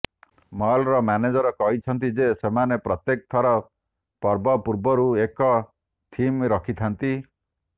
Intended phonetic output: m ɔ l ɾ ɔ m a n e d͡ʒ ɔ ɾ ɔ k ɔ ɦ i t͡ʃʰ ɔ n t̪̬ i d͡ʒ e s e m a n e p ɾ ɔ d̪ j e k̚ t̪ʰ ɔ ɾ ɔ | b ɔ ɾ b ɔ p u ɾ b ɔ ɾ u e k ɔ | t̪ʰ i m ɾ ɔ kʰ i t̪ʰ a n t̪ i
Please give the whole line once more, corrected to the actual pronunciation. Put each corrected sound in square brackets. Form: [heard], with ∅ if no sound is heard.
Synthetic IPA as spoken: m ɔ l ɾ ɔ m a n e d͡ʒ ɔ ɾ ɔ k ɔ ɦ i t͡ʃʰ ɔ n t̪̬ i d͡ʒ e s e m a n e p ɾ ɔ [t̪] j e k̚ t̪ʰ ɔ ɾ ɔ | [p] ɔ ɾ b ɔ p u ɾ b ɔ ɾ u e k ɔ | t̪ʰ i m ɾ ɔ kʰ i t̪ʰ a n t̪ i

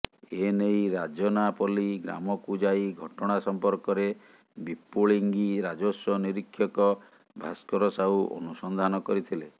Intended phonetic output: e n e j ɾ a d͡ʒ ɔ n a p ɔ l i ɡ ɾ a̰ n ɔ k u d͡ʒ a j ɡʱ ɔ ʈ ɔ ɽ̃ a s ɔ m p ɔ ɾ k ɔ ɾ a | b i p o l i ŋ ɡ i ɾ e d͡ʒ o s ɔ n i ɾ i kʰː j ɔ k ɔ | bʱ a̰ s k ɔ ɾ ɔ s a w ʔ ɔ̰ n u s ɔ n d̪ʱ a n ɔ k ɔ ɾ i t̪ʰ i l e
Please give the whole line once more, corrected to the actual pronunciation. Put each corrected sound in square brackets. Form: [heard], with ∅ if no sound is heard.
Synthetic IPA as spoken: e n e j ɾ a d͡ʒ ɔ n a p ɔ l i ɡ ɾ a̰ [m] ɔ k u d͡ʒ a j ɡʱ ɔ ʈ ɔ ɽ̃ a s ɔ m p ɔ ɾ k ɔ ɾ [e] | b i p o [ɭ] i ŋ ɡ i ɾ [a] d͡ʒ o s ɔ n i ɾ i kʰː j ɔ k ɔ | bʱ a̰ s k ɔ ɾ ɔ s a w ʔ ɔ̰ n u s ɔ n d̪ʱ a n ɔ k ɔ ɾ i t̪ʰ i l e

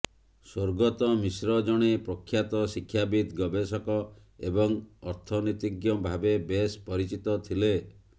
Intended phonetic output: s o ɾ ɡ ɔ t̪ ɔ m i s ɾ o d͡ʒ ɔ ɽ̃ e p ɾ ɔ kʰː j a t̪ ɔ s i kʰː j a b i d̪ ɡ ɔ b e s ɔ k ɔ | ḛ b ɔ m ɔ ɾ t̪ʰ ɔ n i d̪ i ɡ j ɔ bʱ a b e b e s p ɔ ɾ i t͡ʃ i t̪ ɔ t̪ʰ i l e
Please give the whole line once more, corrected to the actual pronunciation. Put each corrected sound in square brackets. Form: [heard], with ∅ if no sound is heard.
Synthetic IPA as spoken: s o ɾ ɡ ɔ t̪ ɔ m i s ɾ [ɔ] d͡ʒ ɔ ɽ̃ e p ɾ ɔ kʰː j a t̪ ɔ s i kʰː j a b i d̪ ɡ ɔ b e s ɔ k ɔ | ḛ b ɔ [ŋ] ɔ ɾ t̪ʰ ɔ n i [t̪] i ɡ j ɔ bʱ a b e b e s p ɔ ɾ i t͡ʃ i t̪ ɔ t̪ʰ i l e

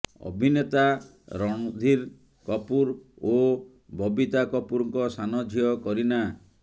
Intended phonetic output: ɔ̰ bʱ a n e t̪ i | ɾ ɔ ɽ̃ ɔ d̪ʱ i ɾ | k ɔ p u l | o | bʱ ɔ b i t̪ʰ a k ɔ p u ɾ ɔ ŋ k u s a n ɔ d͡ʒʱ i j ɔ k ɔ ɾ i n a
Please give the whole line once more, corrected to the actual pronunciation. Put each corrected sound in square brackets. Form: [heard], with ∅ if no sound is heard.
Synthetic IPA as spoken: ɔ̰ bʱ [i] n e t̪ [a] | ɾ ɔ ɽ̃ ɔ d̪ʱ i ɾ | k ɔ p u [ɾ] | o | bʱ ɔ b i [t̪] a k ɔ p u ɾ ɔ ŋ k [ɔ] s a n ɔ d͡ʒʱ i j ɔ k ɔ ɾ i n a

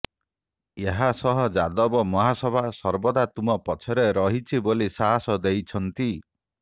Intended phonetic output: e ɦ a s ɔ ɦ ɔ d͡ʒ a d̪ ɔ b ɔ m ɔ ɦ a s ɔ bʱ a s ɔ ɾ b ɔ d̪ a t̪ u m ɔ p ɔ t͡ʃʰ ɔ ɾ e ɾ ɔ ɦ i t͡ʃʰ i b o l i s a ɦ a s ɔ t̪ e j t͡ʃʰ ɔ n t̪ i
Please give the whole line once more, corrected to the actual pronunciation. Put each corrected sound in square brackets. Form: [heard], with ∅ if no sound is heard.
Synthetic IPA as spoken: e ɦ a s ɔ ɦ ɔ d͡ʒ a d̪ ɔ b ɔ m ɔ ɦ a s ɔ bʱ a s ɔ ɾ b ɔ d̪ a t̪ u m ɔ p ɔ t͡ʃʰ ɔ ɾ e ɾ ɔ ɦ i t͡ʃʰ i b o l i s a ɦ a s ɔ [d̪] e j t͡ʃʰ ɔ n t̪ i

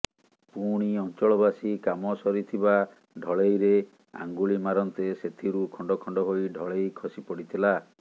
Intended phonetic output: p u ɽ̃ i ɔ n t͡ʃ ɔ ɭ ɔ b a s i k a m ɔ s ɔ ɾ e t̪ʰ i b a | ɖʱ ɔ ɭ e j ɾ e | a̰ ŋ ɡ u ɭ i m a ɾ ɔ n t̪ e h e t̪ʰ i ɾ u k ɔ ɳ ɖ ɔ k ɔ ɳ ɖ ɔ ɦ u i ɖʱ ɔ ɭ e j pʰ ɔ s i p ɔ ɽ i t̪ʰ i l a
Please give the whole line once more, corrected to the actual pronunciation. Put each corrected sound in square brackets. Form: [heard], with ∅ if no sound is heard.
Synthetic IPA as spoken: p u ɽ̃ i ɔ n t͡ʃ ɔ ɭ ɔ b a s i k a m ɔ s ɔ ɾ [i] t̪ʰ i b a | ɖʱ ɔ ɭ e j ɾ e | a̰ ŋ ɡ u ɭ i m a ɾ ɔ n t̪ e [s] e t̪ʰ i ɾ u [kʰ] ɔ ɳ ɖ ɔ [kʰ] ɔ ɳ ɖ ɔ ɦ [o] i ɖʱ ɔ ɭ e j [kʰ] ɔ s i p ɔ ɽ i t̪ʰ i l a

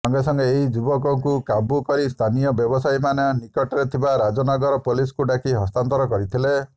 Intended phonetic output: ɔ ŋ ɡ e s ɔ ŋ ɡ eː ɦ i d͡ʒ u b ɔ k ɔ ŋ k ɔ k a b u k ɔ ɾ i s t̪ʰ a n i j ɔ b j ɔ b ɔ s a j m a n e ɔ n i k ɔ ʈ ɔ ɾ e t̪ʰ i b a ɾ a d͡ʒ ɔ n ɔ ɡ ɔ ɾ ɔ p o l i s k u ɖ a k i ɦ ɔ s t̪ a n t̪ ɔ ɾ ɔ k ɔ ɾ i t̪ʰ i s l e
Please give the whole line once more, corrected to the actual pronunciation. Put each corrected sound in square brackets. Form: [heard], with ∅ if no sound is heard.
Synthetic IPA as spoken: ɔ ŋ ɡ e s ɔ ŋ ɡ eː ɦ i d͡ʒ u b ɔ k ɔ ŋ k [u] k a b u k ɔ ɾ i s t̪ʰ a n i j ɔ b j ɔ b ɔ s a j m a n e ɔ n i k ɔ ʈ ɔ ɾ e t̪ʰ i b a ɾ a d͡ʒ ɔ n ɔ ɡ ɔ ɾ ɔ p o l i s k u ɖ a k i ɦ ɔ s t̪ a n t̪ ɔ ɾ ɔ k ɔ ɾ i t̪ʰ i [∅] l e

